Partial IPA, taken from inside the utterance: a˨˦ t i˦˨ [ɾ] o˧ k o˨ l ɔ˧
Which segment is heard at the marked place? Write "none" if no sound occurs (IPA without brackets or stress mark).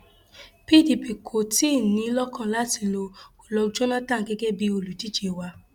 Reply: l